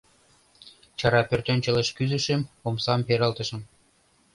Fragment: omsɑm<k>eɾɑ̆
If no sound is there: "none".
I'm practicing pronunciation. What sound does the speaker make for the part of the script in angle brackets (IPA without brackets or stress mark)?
p